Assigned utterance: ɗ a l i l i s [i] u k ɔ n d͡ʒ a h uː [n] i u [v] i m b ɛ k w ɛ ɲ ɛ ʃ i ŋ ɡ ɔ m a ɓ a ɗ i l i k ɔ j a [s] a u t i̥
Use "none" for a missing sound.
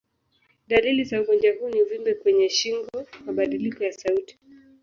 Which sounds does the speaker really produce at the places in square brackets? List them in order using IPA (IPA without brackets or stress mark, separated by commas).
a, n, v, s